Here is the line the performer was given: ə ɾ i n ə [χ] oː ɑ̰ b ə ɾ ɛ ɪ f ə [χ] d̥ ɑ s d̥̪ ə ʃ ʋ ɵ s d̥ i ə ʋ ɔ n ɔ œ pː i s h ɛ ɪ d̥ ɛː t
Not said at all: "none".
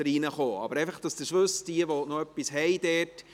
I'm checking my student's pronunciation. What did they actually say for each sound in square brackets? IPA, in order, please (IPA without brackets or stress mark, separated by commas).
χ, χ